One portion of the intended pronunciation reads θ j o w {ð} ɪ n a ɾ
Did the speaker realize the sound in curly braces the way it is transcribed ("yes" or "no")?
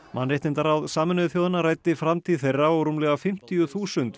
yes